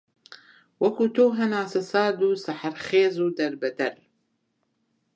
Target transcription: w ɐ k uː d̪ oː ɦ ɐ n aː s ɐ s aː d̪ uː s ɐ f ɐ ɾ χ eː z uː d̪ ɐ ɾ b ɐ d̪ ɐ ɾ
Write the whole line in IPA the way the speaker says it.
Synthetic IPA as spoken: w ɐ k uː t̪ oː ɦ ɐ n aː s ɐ s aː d̪ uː s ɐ ħ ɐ ɾ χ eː z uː d̪ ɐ ɾ b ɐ d̪ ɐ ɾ